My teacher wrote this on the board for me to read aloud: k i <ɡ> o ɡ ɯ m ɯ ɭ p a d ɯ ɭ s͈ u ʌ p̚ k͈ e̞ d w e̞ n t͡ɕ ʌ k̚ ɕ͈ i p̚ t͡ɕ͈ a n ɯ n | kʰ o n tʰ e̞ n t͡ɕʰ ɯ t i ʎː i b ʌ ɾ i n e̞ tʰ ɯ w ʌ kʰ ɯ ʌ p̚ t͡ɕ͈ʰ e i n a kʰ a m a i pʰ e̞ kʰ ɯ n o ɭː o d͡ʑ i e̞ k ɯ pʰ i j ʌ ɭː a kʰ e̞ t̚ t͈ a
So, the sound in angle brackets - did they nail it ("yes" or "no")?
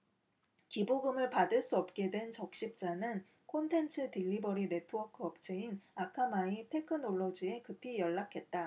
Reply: no